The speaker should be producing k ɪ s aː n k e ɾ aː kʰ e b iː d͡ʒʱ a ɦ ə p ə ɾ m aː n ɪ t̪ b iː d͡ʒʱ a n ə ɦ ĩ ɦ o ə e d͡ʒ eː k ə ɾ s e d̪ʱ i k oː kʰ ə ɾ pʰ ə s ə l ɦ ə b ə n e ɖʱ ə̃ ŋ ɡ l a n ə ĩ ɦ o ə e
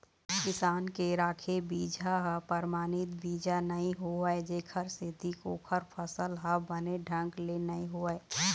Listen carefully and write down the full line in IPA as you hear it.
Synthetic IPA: k ɪ s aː n k e ɾ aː kʰ e b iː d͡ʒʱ a ɦ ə p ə ɾ m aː n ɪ t̪ b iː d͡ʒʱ a n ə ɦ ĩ ɦ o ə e d͡ʒ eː kʰ ə ɾ s e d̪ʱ i k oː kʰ ə ɾ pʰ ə s ə l ɦ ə b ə n e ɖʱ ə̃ ŋ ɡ l e n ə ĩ ɦ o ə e